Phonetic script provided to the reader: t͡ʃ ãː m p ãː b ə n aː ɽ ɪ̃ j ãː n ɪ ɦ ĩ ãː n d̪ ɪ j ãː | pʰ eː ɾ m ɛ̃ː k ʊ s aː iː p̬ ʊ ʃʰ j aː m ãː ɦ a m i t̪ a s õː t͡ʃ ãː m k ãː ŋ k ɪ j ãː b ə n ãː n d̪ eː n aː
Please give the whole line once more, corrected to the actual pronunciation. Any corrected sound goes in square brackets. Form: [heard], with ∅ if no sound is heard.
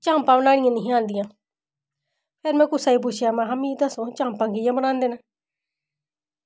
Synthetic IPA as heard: t͡ʃ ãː m p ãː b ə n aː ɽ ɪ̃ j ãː n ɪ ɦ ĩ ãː n d̪ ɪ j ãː | pʰ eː ɾ m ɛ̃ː k ʊ s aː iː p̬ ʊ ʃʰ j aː m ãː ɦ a m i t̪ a s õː t͡ʃ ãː m [p] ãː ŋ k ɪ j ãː b ə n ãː n d̪ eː n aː